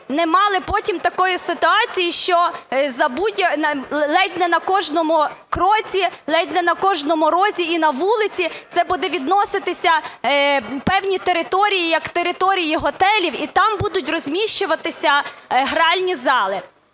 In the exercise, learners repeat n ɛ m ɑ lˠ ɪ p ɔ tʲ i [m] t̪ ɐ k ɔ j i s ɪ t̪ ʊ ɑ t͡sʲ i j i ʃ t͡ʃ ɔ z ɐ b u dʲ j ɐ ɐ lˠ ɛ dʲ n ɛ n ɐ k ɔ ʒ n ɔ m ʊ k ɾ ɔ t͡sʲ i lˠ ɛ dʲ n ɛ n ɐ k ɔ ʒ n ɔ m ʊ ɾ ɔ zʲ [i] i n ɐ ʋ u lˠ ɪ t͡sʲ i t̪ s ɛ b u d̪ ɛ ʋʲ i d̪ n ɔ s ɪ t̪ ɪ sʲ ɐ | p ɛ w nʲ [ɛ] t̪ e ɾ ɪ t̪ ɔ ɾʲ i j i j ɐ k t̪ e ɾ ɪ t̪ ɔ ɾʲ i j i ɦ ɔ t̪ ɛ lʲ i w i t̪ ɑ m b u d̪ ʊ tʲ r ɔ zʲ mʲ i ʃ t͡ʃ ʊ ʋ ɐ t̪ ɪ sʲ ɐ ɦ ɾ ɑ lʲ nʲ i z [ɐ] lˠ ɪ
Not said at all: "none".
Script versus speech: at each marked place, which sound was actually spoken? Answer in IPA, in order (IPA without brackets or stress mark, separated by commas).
m, i, i, ɑ